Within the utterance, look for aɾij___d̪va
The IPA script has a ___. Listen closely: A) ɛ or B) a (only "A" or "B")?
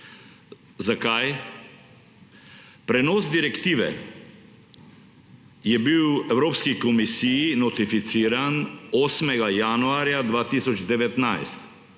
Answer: B